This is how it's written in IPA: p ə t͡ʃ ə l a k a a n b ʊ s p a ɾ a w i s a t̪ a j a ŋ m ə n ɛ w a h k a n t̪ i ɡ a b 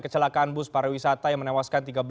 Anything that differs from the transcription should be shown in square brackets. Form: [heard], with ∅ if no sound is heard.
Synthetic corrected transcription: [k] ə t͡ʃ ə l a k a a n b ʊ s p a ɾ a w i s a t̪ a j a ŋ m ə n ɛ w a [s] k a n t̪ i ɡ a b